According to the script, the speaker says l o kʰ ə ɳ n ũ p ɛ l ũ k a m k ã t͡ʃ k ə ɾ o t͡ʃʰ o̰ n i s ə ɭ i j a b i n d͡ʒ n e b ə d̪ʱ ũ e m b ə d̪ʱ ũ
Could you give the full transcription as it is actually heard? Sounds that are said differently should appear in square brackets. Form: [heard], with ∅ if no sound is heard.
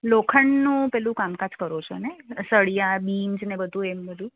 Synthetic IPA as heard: l o kʰ ə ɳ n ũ p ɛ l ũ k a m k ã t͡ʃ k ə ɾ o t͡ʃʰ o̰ n [e] s ə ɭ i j a b i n d͡ʒ n e b ə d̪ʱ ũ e m b ə d̪ʱ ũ